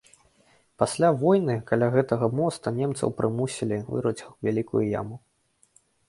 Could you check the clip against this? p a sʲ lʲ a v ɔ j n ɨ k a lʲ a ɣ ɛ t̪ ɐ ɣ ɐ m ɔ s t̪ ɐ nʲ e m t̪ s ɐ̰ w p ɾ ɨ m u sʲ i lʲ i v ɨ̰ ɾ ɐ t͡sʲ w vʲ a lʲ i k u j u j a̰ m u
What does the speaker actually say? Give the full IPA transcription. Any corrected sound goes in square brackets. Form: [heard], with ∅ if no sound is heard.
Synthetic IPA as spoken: p a sʲ lʲ a v ɔ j n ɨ k a lʲ a ɣ ɛ t̪ ɐ ɣ ɐ m ɔ s t̪ ɐ nʲ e m t̪ s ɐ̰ w p ɾ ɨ m u sʲ i lʲ i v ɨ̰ ɾ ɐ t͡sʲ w vʲ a lʲ i k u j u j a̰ m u